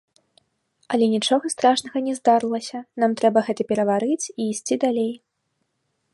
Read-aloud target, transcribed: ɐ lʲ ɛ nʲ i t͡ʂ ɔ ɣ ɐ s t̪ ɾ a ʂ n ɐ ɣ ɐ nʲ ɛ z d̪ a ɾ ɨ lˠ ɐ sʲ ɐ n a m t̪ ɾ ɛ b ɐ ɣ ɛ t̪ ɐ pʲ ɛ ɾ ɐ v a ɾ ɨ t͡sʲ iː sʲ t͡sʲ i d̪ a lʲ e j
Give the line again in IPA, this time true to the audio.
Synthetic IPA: ɐ lʲ ɛ nʲ i t͡ʂ ɔ ɣ ɐ s t̪ ɾ a ʂ n ɐ ɣ ɐ nʲ ɛ z d̪ a ɾ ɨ lˠ ɐ sʲ ɐ n a m t̪ ɾ ɛ b ɐ ɣ ɛ t̪ ɐ pʲ ɛ ɾ ɐ v a ɾ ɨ t͡sʲ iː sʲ t͡sʲ i d̪ a lʲ e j